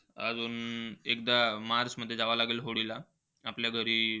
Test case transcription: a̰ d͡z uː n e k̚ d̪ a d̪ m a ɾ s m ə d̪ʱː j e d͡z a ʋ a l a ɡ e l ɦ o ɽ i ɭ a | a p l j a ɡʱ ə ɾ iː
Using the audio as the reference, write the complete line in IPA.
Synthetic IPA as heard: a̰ d͡z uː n e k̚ d̪ a m a ɾ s m ə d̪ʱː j e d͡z a ʋ a l a ɡ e l ɦ o ɽ i l a | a p l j a ɡʱ ə ɾ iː

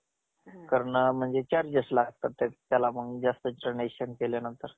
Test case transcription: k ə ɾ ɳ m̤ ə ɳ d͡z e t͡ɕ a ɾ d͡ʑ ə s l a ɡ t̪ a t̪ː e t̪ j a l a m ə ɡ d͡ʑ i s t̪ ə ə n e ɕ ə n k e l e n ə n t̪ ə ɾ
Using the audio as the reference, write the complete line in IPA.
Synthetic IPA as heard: k ə ɾ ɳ m̤ ə ɳ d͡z e t͡ɕ a ɾ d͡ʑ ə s l a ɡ t̪ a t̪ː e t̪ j a l a m ə ɡ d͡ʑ a s t̪ ə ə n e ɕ ə n k e l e n ə n t̪ ə ɾ

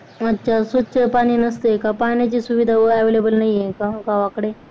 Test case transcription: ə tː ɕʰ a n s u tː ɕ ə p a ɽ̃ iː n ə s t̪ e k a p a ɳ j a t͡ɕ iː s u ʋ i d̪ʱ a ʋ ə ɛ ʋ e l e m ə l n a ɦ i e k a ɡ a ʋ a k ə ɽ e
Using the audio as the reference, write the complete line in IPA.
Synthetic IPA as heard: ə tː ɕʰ a s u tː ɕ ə p a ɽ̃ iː n ə s t̪ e k a p a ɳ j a t͡ɕ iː s u ʋ i d̪ʱ a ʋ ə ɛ ʋ e l e b ə l n a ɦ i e k a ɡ a ʋ a k ə ɽ e

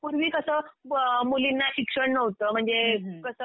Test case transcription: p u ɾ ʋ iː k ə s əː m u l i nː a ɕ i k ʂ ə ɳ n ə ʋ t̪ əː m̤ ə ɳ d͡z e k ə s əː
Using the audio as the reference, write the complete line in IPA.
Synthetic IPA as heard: p u ɾ ʋ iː k ə s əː m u l i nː a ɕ i k ʂ ə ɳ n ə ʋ t̪ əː m̤ ə ɳ d͡z e k ə s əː

